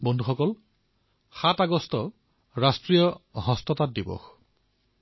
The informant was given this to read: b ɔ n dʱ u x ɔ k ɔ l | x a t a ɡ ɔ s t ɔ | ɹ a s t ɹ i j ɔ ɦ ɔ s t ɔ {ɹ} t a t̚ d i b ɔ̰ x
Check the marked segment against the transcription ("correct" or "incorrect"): incorrect